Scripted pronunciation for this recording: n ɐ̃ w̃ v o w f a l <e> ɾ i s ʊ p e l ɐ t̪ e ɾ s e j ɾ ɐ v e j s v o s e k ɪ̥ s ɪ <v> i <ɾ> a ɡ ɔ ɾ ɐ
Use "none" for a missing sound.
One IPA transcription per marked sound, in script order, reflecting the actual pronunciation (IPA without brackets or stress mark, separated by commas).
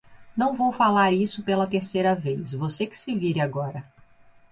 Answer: a, v, ɾ